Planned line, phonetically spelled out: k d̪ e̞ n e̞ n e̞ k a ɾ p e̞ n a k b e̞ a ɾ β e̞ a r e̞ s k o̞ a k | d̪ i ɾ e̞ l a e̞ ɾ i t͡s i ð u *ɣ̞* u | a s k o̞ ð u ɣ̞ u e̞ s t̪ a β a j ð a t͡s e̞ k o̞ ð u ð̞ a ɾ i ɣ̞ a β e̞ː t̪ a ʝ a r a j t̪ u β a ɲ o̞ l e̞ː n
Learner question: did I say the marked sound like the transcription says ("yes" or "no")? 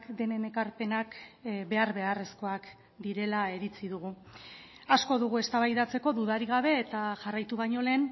yes